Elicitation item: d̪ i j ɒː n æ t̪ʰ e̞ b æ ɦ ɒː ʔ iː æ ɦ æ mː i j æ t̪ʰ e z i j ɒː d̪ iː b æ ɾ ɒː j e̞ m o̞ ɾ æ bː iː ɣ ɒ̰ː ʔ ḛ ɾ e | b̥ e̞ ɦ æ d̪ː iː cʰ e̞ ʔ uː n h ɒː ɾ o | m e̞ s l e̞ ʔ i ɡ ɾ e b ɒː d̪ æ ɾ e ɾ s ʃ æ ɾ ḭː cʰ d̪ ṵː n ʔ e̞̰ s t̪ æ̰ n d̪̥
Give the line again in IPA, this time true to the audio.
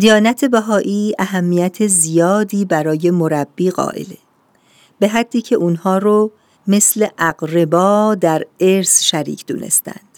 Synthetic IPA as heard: d̪ i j ɒː n æ t̪ʰ e̞ b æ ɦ ɒː ʔ iː æ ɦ æ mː i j æ t̪ʰ e z i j ɒː d̪ iː b æ ɾ ɒː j e̞ m o̞ ɾ æ bː iː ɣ ɒ̰ː ʔ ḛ l e | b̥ e̞ ɦ æ d̪ː iː cʰ e̞ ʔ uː n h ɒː ɾ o | m e̞ s l e̞ ʔ æ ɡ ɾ e b ɒː d̪ æ ɾ e ɾ s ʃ æ ɾ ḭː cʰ d̪ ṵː n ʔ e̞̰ s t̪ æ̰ n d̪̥